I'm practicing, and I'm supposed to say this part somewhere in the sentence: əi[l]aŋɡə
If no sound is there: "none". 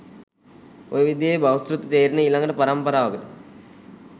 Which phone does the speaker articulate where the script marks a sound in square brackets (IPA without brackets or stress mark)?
l